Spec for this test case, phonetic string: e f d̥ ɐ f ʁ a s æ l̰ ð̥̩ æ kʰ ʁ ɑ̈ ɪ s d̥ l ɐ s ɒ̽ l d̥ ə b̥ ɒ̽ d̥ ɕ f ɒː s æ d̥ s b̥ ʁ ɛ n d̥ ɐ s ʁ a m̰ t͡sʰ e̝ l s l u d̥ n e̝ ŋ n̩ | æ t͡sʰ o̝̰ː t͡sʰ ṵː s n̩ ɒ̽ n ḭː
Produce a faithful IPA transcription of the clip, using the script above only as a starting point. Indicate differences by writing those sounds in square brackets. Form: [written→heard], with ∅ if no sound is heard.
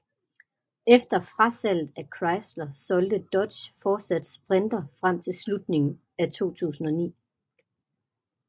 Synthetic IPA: e f d̥ ɐ f ʁ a s æ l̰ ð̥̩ æ kʰ ʁ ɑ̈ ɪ s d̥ l ɐ s ɒ̽ l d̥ ə [b̥→d̥] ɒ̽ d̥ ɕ f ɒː s æ d̥ s b̥ ʁ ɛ n d̥ ɐ [s→f] ʁ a m̰ t͡sʰ e̝ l s l u d̥ n e̝ ŋ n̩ | æ t͡sʰ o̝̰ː t͡sʰ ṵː s n̩ ɒ̽ n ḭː